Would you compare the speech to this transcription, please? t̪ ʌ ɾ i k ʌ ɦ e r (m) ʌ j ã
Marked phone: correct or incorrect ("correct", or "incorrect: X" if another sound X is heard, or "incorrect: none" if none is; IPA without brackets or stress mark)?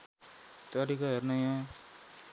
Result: incorrect: n